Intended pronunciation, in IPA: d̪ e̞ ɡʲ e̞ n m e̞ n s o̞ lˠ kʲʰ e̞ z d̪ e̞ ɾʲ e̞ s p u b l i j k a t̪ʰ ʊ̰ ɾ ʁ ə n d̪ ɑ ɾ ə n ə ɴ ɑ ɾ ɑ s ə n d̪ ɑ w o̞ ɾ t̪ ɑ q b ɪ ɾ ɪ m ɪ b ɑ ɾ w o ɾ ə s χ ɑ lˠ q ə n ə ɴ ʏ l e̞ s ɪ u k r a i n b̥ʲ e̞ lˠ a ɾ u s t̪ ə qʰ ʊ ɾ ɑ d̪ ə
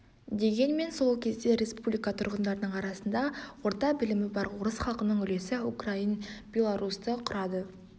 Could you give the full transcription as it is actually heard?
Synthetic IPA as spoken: d̪ e̞ ɡʲ e̞ n m e̞ n s o̞ lˠ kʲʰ e̞ z d̪ e̞ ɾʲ e̞ s p u b l i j k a t̪ʰ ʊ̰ ɾ ʁ ə n d̪ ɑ ɾ ə n ə ɴ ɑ ɾ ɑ s ə n d̪ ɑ w o̞ ɾ t̪ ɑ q b ɪ l ɪ m ɪ b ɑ ɾ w o ɾ ə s χ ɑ lˠ q ə n ə ɴ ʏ l e̞ s ɪ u k r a i n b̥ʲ e̞ lˠ a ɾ u s t̪ ə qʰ ʊ ɾ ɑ d̪ ə

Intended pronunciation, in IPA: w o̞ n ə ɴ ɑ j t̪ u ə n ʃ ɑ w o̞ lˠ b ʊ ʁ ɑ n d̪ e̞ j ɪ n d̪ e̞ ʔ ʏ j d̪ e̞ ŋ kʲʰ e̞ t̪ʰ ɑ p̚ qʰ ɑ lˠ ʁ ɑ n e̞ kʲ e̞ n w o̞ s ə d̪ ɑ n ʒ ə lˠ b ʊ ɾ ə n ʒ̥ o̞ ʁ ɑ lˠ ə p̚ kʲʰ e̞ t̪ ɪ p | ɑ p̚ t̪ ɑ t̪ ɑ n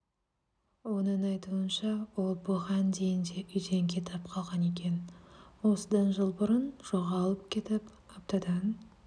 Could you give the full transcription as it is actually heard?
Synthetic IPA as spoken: w o̞ n ə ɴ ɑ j t̪ u ə n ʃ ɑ w o̞ lˠ b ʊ ʁ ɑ n d̪ e̞ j ɪ n d̪ e̞ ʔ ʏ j d̪ e̞ ŋ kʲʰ e̞ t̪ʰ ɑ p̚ qʰ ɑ lˠ ʁ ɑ n e̞ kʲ e̞ n w o̞ s ə d̪ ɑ n ʒ ə lˠ b ʊ ɾ ə n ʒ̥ o̞ ʁ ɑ lˠ ə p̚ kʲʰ e̞ t̪ ɪ p | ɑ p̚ t̪ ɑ d̪ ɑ n

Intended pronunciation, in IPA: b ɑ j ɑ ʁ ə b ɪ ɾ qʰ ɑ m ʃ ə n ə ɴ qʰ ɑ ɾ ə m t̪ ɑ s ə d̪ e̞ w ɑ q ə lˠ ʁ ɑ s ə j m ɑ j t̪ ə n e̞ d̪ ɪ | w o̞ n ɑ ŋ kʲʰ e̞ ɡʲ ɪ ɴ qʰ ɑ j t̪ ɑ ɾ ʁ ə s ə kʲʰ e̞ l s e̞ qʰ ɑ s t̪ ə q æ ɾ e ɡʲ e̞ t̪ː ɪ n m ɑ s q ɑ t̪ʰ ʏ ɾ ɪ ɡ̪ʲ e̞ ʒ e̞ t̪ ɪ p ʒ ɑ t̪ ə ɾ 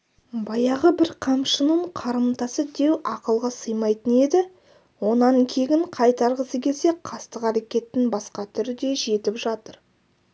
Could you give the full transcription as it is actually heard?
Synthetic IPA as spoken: b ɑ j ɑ ʁ ə b ɪ ɾ qʰ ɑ m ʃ ə n ə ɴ qʰ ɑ ɾ ə m t̪ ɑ s ə d̪ e̞ w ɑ q ə lˠ ʁ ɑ s ə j m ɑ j t̪ ə n e̞ d̪ ɪ | w o̞ n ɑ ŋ kʲʰ e̞ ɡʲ ɪ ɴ qʰ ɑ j t̪ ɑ ɾ ʁ ə s ə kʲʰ e̞ l s e̞ qʰ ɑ s t̪ ə q æ ɾ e kʲ e̞ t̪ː ɪ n b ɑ s q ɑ t̪ʰ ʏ ɾ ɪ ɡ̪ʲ e̞ ʒ e̞ t̪ ɪ p ʒ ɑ t̪ ə ɾ

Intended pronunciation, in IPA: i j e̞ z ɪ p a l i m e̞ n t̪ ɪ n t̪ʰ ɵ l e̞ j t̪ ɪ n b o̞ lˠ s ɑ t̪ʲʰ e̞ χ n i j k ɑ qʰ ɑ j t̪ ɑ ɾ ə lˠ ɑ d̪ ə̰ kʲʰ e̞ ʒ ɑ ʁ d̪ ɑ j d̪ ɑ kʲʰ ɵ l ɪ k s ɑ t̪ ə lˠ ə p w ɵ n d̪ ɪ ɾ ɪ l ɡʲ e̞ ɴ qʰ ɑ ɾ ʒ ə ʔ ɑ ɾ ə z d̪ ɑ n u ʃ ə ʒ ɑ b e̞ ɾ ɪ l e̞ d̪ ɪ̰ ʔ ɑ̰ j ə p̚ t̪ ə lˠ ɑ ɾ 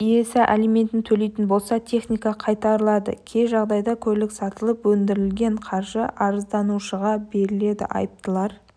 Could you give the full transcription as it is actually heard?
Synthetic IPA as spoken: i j e̞ s ɪ ʔ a l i m e̞ n t̪ ɪ n t̪ʰ ɵ l e̞ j t̪ ɪ n b o̞ lˠ s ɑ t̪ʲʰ e̞ χ n i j k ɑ qʰ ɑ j t̪ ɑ ɾ ə lˠ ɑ d̪ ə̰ kʲʰ e̞ ʒ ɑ ʁ d̪ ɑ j d̪ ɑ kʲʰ ɵ l ɪ k s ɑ t̪ ə lˠ ə p w ɵ n d̪ ɪ ɾ ɪ l ɡʲ e̞ ɴ qʰ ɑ ɾ ʒ ə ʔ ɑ ɾ ə z d̪ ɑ n u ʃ ə ʁ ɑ b e̞ ɾ ɪ l e̞ d̪ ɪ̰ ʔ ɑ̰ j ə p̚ t̪ ə lˠ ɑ ɾ

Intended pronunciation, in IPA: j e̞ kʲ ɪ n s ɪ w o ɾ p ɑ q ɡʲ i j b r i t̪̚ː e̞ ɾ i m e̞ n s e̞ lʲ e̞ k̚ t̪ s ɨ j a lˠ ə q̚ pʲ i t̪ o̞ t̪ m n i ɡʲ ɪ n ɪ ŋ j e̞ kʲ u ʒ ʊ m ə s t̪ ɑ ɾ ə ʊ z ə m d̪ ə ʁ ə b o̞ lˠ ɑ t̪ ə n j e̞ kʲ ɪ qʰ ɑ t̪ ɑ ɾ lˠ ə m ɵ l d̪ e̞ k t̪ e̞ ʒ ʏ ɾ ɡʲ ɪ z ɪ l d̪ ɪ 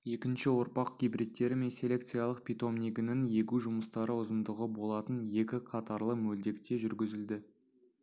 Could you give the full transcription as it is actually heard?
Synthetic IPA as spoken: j e̞ kʲ ɪ n ʃ ɪ w o ɾ p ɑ q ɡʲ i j b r i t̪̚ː e̞ ɾ ɪ m e̞ n s e̞ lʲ e̞ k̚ t̪ s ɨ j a lˠ ə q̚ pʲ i t̪ o̞ m n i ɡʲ ɪ n ɪ ŋ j e̞ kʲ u ʒ ʊ m ə s t̪ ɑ ɾ ə ʊ z ə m d̪ ə ʁ ə b o̞ lˠ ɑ t̪ ə n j e̞ kʲ ɪ qʰ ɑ t̪ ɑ ɾ lˠ ə m ɵ l d̪ e̞ k t̪ e̞ ʒ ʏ ɾ ɡʲ ɪ z ɪ l d̪ ɪ

